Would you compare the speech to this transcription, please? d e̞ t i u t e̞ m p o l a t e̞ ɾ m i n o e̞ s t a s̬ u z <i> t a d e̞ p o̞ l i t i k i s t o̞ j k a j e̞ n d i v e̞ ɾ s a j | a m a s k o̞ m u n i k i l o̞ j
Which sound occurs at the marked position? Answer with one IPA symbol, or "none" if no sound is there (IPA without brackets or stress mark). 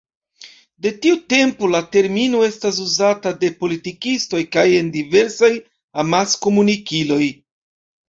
a